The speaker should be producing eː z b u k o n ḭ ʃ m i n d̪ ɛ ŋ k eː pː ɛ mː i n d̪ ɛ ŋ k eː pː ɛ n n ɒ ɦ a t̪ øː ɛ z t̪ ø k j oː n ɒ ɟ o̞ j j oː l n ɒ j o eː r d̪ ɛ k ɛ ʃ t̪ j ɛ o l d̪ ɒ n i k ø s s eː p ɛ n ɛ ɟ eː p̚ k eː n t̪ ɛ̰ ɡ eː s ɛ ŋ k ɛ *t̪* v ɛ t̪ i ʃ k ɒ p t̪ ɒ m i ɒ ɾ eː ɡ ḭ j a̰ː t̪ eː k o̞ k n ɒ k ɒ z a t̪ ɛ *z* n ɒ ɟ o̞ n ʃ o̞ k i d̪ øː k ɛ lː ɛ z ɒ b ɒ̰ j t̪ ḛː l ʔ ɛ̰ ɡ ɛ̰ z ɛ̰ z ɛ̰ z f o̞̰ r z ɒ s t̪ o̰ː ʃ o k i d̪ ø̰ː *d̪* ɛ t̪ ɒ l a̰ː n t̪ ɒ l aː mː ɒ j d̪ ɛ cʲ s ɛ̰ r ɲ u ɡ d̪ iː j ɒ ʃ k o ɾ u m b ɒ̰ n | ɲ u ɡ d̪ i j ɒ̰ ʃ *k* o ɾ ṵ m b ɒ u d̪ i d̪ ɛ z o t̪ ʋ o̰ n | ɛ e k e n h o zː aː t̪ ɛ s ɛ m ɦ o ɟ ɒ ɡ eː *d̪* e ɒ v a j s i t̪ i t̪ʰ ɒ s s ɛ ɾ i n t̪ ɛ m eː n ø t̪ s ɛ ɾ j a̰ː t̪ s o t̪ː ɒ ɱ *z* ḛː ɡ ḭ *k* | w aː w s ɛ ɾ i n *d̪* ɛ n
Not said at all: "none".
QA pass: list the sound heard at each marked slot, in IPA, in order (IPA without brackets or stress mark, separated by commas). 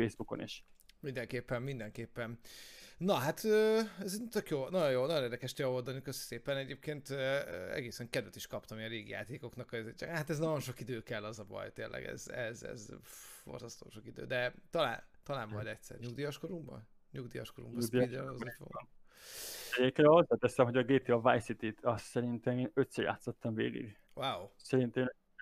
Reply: d̪, z, d̪, k, t̪, v, ɡ, t̪